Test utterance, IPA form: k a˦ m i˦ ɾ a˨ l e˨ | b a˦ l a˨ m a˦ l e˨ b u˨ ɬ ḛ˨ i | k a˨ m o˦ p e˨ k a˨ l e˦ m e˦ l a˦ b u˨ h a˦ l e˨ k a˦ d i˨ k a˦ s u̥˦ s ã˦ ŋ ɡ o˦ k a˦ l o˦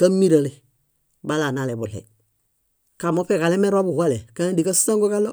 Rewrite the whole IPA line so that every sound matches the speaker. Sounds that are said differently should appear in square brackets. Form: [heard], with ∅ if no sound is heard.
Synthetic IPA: k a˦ m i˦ ɾ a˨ l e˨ | b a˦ l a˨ [n] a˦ l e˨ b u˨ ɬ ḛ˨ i | k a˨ m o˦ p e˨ k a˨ l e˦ m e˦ [ɾ] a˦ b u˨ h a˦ l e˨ k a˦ d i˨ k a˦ s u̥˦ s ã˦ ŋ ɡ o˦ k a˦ l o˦